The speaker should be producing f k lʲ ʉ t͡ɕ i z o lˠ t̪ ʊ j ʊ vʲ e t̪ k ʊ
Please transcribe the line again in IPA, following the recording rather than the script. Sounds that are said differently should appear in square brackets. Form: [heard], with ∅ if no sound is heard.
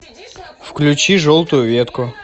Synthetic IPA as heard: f k lʲ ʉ t͡ɕ i [ʐ] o lˠ t̪ ʊ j ʊ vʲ e t̪ k ʊ

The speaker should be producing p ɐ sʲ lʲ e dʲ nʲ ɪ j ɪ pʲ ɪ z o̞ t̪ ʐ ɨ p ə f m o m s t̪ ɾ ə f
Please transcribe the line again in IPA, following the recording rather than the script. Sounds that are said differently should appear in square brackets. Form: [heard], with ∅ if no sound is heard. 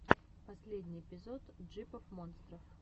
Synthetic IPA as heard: p ɐ sʲ lʲ e dʲ nʲ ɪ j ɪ pʲ ɪ z o̞ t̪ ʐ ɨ p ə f m o [n] s t̪ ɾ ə f

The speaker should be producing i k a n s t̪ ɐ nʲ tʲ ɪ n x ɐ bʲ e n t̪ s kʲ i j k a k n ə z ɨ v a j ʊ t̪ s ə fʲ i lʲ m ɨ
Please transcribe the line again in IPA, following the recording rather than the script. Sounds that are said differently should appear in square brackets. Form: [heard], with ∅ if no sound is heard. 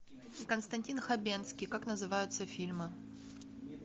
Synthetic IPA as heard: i k [ə] n s t̪ ɐ nʲ tʲ [i] n x ɐ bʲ e n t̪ s kʲ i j k a k n ə z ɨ v a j ʊ t̪ s ə fʲ i lʲ m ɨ

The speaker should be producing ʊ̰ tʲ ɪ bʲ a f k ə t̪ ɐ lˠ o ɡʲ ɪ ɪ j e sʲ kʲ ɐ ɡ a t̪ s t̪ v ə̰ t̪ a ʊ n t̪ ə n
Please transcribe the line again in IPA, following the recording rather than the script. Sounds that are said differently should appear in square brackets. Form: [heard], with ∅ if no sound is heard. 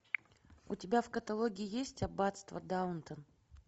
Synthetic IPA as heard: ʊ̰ tʲ ɪ bʲ a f k ə t̪ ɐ lˠ o ɡʲ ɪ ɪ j e sʲ [tʲ] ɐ [b] a t̪ s t̪ v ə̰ [d̪] a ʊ n t̪ ə n

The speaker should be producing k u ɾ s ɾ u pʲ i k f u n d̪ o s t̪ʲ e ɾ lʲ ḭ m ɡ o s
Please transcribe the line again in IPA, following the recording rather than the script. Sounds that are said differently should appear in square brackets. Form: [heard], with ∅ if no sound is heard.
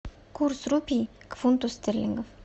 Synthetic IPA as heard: k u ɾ s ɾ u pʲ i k f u n [t̪] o s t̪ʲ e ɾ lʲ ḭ [ŋ] ɡ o [f]

